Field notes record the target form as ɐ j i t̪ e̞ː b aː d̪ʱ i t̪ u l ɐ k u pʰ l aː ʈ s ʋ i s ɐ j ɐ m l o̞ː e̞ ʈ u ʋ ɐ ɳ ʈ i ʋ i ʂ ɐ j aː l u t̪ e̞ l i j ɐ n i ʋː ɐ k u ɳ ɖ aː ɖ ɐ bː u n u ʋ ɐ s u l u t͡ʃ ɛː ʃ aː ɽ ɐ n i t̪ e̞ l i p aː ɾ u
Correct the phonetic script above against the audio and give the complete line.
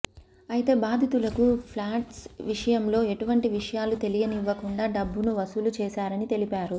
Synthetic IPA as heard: ɐ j i t̪ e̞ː b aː d̪ʱ i t̪ u l ɐ k u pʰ l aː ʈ s ʋ i ʂ ɐ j ɐ m l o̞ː e̞ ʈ u ʋ ɐ ɳ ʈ i ʋ i ʂ ɐ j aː l u t̪ e̞ l i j ɐ n i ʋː ɐ k u ɳ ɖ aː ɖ ɐ bː u n u ʋ ɐ s u l u t͡ʃ ɛː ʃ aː ɾ ɐ n i t̪ e̞ l i p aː ɾ u